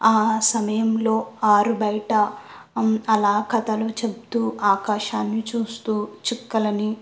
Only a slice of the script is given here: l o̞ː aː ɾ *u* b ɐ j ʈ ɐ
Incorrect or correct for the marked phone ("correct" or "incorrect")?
correct